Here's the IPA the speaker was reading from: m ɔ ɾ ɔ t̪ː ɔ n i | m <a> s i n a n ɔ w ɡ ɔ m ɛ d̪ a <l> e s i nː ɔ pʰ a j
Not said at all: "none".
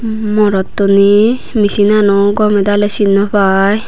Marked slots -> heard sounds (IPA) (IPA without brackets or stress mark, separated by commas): i, l